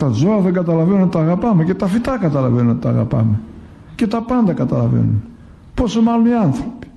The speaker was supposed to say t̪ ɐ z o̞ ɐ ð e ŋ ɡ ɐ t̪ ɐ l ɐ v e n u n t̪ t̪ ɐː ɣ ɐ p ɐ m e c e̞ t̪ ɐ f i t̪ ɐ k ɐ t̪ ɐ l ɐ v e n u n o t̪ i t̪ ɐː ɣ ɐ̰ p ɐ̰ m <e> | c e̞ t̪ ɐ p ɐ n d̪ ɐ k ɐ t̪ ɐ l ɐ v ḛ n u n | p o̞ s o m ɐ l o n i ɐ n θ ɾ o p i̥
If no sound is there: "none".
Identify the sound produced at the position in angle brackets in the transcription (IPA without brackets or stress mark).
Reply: e